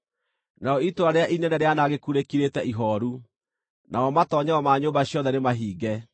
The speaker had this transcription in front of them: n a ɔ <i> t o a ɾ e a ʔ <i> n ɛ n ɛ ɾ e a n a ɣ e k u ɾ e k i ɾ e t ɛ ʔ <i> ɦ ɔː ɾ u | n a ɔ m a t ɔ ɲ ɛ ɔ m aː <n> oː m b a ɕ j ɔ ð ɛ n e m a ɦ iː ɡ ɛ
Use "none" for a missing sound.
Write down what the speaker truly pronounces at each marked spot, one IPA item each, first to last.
i, i, i, ɲ

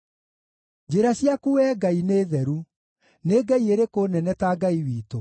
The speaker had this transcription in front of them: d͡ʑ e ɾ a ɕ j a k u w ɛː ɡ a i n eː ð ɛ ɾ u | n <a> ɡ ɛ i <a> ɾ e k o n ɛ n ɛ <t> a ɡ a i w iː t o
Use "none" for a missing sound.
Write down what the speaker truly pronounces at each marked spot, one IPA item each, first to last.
e, e, t

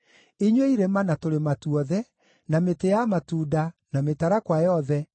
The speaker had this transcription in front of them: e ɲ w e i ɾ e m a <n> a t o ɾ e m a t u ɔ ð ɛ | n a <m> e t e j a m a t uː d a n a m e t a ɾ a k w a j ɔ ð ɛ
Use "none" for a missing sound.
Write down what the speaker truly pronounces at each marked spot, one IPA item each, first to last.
n, m

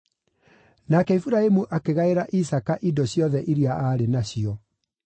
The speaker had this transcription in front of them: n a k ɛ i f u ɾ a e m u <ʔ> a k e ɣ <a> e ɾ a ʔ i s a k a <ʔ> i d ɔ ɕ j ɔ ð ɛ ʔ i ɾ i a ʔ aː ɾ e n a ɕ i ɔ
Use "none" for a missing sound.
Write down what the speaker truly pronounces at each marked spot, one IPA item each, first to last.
ʔ, a, ʔ

